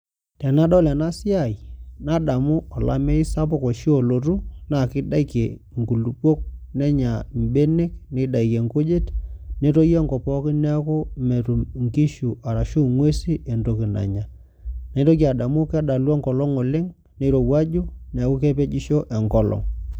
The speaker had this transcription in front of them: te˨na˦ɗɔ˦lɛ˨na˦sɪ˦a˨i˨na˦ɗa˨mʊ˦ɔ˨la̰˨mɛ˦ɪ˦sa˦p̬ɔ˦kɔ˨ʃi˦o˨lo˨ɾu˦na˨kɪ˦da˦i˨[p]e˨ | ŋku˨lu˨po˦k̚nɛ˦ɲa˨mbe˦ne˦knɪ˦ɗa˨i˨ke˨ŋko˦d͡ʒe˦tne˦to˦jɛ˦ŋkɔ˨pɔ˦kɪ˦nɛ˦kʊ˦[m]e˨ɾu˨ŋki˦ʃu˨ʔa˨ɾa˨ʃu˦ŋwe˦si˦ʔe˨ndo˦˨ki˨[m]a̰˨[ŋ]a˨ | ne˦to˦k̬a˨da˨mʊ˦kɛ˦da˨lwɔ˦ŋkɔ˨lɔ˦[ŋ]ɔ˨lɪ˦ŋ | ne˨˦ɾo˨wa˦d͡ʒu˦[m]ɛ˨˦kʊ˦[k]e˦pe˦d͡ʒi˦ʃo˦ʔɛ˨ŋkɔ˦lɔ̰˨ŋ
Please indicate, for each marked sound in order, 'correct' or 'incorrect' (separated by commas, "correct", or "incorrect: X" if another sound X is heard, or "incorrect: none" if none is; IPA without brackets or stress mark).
incorrect: k, correct, incorrect: n, incorrect: ɲ, correct, incorrect: n, correct